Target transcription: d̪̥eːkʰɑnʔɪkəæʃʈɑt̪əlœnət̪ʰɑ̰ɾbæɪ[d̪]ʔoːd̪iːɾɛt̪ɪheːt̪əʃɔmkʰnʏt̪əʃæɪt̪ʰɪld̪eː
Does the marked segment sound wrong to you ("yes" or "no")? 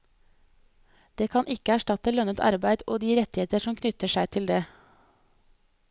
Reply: no